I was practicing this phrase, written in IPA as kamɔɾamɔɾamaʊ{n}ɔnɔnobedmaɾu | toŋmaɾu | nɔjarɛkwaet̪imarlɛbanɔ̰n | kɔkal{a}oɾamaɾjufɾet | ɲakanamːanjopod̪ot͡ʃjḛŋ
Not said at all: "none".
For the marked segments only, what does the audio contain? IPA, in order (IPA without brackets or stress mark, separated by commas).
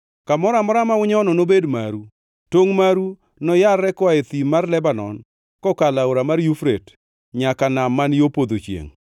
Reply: ɲ, a